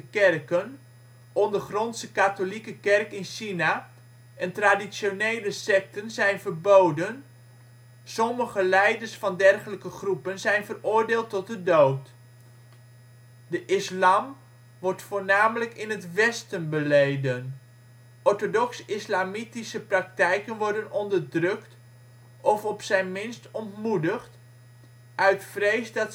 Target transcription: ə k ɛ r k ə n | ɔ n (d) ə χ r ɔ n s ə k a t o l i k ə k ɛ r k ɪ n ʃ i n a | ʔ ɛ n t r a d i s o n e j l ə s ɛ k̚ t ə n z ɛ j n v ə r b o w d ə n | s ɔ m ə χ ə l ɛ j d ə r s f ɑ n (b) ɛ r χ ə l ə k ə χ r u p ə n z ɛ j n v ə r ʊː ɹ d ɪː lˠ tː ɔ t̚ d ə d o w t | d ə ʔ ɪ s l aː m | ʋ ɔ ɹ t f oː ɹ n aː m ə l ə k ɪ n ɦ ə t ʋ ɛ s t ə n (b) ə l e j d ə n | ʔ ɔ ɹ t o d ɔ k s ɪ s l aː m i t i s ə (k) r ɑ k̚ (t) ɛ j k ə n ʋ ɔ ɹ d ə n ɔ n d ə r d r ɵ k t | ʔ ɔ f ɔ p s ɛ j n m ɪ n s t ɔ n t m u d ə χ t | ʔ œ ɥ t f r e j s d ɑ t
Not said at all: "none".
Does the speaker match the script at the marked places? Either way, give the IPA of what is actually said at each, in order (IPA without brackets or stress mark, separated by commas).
d, d, b, p, t